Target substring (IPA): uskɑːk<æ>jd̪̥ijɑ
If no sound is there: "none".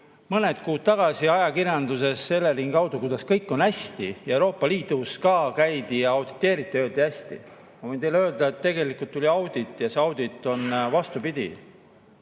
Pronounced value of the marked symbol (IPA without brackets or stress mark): æ